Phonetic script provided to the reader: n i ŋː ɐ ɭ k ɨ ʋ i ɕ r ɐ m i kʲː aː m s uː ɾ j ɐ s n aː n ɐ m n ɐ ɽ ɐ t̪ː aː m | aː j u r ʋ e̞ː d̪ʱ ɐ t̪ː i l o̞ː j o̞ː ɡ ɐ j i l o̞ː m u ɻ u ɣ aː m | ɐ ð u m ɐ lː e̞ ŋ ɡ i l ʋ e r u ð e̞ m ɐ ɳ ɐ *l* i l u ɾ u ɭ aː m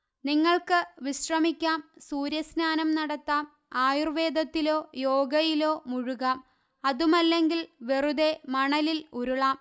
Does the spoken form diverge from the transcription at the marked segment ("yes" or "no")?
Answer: no